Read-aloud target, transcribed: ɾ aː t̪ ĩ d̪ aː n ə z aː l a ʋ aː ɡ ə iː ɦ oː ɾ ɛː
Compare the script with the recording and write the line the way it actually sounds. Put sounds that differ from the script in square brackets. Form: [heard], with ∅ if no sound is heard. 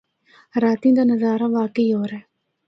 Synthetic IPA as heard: ɾ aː t̪ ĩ d̪ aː n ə z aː [ɾ] a ʋ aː [k] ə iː ɦ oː ɾ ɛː

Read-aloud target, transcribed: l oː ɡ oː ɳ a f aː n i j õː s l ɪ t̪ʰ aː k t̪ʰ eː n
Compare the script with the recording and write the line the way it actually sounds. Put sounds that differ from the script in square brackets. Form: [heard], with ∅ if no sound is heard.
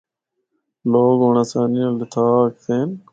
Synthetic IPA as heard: l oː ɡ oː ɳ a [s] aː n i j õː [∅] l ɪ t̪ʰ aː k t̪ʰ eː n

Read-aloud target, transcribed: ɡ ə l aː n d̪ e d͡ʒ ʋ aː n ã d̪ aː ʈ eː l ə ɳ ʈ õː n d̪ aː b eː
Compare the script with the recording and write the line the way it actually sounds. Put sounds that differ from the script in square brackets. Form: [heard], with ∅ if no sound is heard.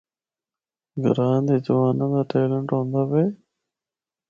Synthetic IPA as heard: ɡ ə [ɾ] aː n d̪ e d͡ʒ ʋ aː n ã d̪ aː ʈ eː l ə ɳ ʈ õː n d̪ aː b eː

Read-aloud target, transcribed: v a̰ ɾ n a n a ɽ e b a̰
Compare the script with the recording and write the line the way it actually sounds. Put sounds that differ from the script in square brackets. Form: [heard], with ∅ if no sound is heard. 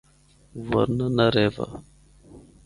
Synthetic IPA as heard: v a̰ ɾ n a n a [ɾ] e [v] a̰

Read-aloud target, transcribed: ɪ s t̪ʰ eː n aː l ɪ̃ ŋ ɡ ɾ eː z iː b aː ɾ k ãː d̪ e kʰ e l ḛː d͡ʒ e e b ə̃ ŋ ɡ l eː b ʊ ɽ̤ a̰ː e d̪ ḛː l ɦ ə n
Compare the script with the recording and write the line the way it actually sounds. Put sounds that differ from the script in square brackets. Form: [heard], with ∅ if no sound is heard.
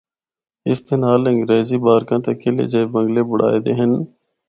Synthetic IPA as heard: ɪ s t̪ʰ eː n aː l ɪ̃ ŋ ɡ ɾ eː z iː b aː ɾ k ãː [t̪] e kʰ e l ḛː d͡ʒ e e b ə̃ ŋ ɡ l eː b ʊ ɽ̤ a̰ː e d̪ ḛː [∅] ɦ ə n

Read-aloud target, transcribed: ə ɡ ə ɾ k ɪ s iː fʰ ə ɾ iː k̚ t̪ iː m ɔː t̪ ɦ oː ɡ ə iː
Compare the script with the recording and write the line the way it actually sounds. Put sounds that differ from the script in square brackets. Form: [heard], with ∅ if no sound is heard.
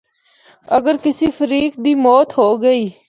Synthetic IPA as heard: ə ɡ ə ɾ k ɪ s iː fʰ ə ɾ iː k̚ [d̪] iː m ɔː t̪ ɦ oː ɡ ə iː

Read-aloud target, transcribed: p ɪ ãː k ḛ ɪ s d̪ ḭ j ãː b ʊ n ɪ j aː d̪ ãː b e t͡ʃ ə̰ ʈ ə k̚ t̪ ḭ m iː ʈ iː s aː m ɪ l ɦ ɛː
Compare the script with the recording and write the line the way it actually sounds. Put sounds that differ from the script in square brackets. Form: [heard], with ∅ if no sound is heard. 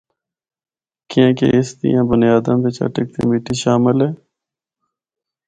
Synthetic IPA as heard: [k] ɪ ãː k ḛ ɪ s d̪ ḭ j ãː b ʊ n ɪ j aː d̪ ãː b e t͡ʃ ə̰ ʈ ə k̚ t̪ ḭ m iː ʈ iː [ʃ] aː m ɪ l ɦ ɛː

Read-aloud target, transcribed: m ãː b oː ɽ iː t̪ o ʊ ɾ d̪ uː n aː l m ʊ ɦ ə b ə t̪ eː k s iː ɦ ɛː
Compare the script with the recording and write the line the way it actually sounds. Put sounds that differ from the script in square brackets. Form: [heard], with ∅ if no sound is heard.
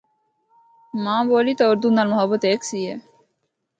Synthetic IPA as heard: m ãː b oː [l] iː t̪ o ʊ ɾ d̪ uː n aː l m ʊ ɦ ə b ə t̪ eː k s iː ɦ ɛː

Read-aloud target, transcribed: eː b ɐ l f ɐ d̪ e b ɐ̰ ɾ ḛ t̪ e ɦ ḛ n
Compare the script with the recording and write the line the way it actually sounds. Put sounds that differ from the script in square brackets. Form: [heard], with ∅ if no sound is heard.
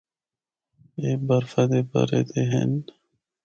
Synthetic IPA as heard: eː b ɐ [ɾ] f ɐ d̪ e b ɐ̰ ɾ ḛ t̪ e ɦ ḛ n

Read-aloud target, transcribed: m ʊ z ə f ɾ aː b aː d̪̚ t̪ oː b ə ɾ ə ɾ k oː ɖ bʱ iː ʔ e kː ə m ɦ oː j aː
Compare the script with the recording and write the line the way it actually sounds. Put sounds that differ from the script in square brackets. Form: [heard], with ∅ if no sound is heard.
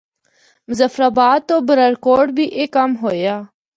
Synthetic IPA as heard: m ʊ z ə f ɾ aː b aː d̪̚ t̪ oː b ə ɾ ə ɾ k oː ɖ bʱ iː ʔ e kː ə m ɦ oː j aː

